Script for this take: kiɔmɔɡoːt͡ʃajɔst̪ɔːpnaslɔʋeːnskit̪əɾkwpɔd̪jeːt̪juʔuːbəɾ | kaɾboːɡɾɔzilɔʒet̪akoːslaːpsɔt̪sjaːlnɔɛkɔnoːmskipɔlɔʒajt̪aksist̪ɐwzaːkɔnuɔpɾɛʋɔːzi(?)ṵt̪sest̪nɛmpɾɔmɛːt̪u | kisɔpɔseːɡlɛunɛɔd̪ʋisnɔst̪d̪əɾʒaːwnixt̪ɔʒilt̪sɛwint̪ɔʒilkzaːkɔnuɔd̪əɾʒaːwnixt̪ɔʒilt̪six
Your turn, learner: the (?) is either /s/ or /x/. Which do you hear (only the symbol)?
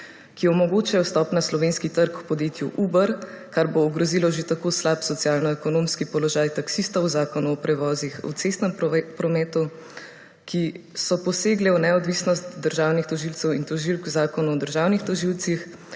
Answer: x